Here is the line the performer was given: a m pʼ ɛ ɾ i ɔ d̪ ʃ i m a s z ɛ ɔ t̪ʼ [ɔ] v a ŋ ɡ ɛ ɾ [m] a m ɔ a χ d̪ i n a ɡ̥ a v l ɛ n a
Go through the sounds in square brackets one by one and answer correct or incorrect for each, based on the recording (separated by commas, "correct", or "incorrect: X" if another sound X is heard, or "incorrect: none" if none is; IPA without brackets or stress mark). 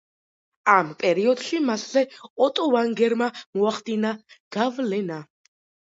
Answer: correct, correct